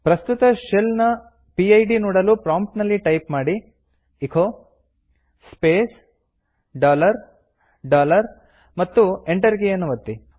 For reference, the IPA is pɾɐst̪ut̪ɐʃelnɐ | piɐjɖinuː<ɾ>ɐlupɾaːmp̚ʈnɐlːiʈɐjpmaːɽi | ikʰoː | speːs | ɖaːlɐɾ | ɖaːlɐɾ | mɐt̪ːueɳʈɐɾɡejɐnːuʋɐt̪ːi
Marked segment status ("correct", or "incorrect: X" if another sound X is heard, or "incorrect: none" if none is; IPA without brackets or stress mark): incorrect: ɽ